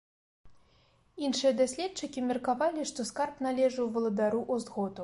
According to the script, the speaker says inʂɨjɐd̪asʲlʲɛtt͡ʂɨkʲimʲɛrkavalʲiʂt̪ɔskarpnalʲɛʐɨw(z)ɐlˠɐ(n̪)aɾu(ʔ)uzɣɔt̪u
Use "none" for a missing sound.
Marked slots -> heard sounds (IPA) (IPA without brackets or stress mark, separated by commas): v, d̪, ʔ